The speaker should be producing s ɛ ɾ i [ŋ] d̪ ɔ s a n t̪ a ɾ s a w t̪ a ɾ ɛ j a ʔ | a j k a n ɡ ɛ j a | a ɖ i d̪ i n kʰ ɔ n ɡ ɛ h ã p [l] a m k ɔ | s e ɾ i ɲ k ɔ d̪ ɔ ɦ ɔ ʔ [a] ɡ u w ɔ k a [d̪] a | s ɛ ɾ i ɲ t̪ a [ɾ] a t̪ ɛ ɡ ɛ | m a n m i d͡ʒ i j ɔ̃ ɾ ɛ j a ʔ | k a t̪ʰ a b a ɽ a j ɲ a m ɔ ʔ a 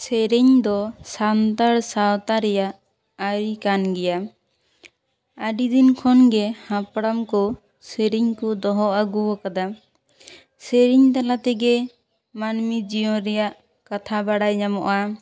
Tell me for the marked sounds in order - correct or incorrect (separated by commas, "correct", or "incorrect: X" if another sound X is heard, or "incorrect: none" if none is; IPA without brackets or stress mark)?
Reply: incorrect: ɲ, incorrect: ɽ, correct, correct, incorrect: l